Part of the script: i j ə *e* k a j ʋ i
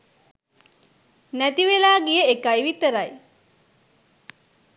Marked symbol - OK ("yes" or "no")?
yes